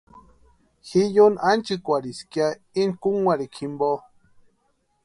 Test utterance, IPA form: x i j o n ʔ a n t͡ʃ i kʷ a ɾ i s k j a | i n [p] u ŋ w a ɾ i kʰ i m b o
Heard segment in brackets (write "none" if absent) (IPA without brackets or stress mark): k